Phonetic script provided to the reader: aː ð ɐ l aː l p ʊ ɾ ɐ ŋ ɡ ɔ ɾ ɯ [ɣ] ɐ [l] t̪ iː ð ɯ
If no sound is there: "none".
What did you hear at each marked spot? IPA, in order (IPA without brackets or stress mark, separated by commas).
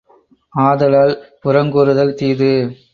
ð, l